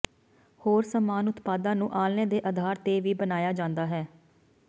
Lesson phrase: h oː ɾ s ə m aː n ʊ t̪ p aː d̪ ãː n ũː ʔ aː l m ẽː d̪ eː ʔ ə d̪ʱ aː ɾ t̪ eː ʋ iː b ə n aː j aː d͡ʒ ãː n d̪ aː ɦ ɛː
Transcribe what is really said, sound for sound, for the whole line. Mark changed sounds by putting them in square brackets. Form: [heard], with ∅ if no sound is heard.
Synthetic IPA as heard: h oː ɾ s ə m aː n ʊ t̪ p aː d̪ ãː n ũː ʔ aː l [n] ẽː d̪ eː ʔ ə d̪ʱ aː ɾ t̪ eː ʋ iː b ə n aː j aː d͡ʒ ãː n d̪ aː ɦ ɛː